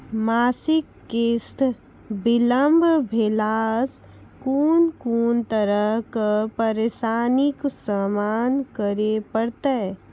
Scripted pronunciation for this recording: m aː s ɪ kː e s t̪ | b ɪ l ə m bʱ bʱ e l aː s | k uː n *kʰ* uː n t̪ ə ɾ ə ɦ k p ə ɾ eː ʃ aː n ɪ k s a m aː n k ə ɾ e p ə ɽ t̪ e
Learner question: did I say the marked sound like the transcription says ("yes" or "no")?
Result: no